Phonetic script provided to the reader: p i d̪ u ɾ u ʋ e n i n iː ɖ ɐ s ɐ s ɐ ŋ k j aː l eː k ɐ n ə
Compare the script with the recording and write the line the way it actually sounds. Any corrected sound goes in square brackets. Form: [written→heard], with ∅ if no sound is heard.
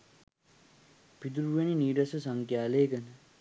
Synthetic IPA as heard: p i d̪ u ɾ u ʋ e n i n iː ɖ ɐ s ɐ s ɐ ŋ k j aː l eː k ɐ n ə